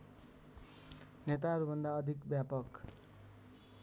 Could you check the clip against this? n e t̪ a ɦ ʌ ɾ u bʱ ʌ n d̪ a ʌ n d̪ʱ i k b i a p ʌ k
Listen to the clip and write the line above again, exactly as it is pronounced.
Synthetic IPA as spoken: n e t̪ a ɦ ʌ ɾ u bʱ ʌ n d̪ a ʌ d̪ʱ i k b j a p ʌ k